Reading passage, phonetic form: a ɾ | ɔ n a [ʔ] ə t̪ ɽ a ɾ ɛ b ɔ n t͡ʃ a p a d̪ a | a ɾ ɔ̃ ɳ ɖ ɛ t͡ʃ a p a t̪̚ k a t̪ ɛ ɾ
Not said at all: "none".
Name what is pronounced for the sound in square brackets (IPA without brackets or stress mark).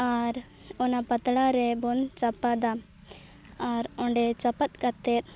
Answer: p